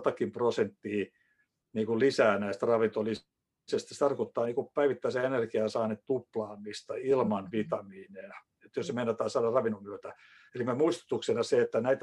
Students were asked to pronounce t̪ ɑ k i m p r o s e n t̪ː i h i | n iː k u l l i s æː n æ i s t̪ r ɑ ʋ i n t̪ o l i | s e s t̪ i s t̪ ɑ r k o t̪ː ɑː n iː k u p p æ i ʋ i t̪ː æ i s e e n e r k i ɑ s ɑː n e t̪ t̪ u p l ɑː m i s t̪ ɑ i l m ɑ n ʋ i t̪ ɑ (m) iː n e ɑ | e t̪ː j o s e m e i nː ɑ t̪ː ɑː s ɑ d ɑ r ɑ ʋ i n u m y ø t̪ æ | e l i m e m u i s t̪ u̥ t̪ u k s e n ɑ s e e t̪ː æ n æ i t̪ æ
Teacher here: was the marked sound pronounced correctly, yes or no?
yes